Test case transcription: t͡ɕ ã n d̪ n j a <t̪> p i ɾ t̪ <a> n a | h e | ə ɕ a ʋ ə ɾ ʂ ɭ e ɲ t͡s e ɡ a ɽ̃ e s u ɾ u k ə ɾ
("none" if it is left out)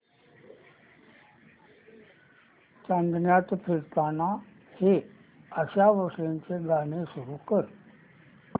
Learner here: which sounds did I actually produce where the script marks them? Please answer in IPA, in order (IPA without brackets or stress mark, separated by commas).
t̪, a